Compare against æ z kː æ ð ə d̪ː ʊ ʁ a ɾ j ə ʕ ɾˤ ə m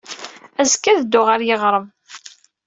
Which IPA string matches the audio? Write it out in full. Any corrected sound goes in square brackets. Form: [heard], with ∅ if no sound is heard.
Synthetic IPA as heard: æ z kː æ ð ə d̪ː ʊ ʁ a ɾ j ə [ʁ] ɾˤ ə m